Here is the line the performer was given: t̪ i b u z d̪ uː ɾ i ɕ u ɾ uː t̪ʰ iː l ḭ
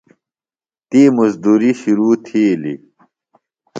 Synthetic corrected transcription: t̪ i m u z d̪ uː ɾ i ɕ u ɾ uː t̪ʰ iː l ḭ